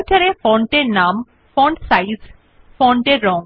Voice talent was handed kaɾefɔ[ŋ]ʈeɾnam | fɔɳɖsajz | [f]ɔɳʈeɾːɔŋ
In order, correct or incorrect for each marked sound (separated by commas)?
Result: incorrect, correct